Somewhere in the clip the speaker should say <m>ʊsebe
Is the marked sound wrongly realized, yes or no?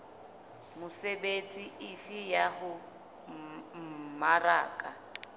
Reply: no